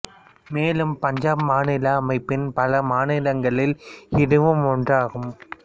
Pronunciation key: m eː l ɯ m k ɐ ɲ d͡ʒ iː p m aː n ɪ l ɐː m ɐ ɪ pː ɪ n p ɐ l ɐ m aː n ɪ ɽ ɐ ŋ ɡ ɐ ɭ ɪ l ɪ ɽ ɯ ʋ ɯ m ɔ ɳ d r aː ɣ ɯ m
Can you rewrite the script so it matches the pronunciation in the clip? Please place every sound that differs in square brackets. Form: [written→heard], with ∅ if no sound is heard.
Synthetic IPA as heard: m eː l ɯ m [k→p] ɐ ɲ d͡ʒ [iː→aː] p m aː n ɪ l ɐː m ɐ ɪ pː ɪ n p ɐ l ɐ m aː n ɪ [ɽ→l] ɐ ŋ ɡ ɐ ɭ ɪ l ɪ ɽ ɯ ʋ ɯ m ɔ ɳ d r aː ɣ ɯ m